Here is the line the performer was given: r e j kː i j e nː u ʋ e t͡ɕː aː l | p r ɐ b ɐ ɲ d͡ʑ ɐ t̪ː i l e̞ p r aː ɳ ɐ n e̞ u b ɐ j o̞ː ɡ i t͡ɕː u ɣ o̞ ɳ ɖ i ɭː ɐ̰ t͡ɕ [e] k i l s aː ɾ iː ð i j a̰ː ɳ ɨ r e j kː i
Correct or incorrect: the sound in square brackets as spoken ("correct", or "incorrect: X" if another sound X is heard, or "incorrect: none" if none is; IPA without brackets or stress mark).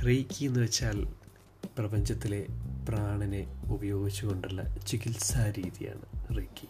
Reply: incorrect: i